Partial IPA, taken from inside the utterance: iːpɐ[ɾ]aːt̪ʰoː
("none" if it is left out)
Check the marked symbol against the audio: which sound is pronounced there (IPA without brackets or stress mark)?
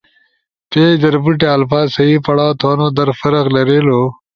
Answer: ɽ